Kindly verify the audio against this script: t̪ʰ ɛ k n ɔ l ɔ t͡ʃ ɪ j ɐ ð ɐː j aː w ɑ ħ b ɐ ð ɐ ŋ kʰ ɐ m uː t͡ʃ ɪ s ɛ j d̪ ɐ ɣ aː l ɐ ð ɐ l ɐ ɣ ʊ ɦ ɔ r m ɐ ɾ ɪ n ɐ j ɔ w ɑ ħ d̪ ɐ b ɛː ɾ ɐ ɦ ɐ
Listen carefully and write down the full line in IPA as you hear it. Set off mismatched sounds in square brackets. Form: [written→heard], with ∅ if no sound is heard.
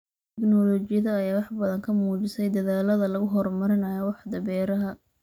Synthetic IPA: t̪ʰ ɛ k n ɔ l ɔ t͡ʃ ɪ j ɐ ð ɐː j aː w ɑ ħ b ɐ ð ɐ ŋ kʰ ɐ m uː t͡ʃ ɪ s ɛ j d̪ ɐ [ɣ→ð] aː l ɐ ð ɐ l ɐ ɣ ʊ ɦ ɔ r m ɐ ɾ ɪ n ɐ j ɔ w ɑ ħ d̪ ɐ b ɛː ɾ ɐ ɦ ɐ